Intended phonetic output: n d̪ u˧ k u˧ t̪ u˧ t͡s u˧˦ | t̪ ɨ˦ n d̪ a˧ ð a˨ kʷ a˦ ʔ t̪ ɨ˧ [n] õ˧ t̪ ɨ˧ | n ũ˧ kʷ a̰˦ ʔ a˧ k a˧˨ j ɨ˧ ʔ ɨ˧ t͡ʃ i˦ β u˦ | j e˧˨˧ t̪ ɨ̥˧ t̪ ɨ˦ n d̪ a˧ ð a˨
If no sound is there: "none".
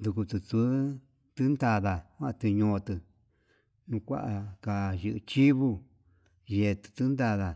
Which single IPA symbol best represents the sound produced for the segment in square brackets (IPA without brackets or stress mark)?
ɲ